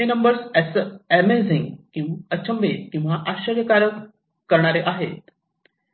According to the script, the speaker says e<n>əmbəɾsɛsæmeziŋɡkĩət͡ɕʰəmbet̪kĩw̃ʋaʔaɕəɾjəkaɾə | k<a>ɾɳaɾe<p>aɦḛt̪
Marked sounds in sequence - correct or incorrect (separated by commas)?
correct, incorrect, incorrect